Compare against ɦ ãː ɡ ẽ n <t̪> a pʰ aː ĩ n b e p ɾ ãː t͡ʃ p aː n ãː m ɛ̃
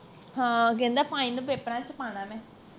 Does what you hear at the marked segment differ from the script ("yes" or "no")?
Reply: yes